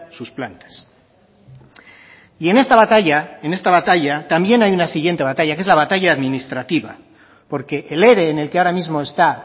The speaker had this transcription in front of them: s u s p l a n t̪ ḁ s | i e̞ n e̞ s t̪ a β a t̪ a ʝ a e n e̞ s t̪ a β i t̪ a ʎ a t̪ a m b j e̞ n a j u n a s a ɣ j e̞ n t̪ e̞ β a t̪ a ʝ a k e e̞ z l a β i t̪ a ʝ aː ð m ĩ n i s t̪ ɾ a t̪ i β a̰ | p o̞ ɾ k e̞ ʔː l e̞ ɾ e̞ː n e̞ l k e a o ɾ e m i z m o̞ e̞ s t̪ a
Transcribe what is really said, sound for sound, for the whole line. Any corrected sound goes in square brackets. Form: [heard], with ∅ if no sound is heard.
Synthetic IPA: s u s p l a n t̪ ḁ s | i e̞ n e̞ s t̪ a β a t̪ a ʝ a e n e̞ s t̪ a β [a] t̪ a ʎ a t̪ a m b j e̞ n a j u n a s [i] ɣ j e̞ n t̪ e̞ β a t̪ a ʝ a k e e̞ z l a β [a] t̪ a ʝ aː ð m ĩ n i s t̪ ɾ a t̪ i β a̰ | p o̞ ɾ k e̞ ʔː l e̞ ɾ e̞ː n e̞ l k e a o ɾ [a] m i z m o̞ e̞ s t̪ a